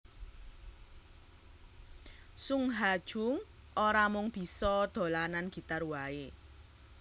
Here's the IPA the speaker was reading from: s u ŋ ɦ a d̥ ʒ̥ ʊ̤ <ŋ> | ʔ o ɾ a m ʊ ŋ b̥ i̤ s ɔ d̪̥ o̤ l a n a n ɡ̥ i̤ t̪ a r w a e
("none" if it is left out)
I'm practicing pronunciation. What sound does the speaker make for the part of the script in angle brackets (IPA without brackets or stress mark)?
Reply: ŋ